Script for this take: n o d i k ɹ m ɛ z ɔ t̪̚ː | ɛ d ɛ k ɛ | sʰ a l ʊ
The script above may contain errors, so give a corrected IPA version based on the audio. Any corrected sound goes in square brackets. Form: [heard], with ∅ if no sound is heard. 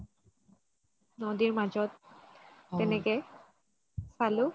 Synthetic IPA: n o d i [∅] ɹ m [a] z ɔ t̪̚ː | ɛ [n] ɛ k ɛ | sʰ a l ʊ